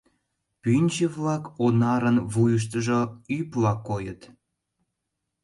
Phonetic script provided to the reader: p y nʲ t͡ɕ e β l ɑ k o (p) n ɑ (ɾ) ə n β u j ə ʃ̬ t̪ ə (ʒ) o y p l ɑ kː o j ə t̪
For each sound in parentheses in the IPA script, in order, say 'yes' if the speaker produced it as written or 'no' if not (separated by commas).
no, yes, yes